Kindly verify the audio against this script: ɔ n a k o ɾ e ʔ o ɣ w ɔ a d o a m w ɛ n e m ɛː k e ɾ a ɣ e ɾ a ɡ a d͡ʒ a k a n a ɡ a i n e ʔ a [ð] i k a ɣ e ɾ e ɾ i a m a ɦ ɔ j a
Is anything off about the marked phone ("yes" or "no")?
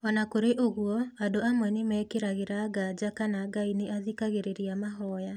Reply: no